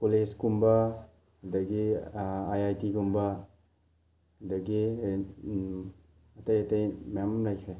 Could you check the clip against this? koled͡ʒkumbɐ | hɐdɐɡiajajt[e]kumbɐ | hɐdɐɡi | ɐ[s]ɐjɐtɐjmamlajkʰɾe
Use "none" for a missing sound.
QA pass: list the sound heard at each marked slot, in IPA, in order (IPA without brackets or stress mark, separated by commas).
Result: i, t